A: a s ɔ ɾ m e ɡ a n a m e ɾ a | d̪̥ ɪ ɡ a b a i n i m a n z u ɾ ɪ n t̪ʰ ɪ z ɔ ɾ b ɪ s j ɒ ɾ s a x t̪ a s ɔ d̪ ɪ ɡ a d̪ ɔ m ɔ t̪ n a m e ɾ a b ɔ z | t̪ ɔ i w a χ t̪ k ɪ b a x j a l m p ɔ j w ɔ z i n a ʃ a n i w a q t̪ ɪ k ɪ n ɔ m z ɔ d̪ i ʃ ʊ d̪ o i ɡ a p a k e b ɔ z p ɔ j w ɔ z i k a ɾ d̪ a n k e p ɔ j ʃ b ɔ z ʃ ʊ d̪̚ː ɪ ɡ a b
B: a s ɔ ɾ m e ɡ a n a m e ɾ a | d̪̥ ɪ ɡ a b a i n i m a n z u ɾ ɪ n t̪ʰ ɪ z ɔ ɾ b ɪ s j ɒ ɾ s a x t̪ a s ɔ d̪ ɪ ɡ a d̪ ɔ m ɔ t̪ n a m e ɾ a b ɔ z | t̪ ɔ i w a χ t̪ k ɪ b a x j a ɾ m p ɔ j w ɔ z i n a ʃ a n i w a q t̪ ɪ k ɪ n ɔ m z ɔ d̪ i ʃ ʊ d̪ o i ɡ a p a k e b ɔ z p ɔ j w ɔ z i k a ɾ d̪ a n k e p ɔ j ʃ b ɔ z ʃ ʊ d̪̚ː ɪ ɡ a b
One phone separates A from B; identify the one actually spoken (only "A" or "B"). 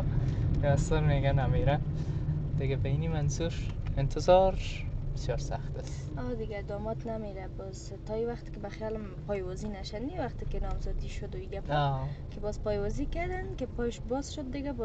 A